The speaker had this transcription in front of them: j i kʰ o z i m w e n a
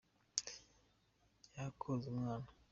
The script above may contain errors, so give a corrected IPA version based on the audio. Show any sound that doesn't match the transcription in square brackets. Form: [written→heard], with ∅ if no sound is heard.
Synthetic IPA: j [i→a] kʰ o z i m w [e→a] n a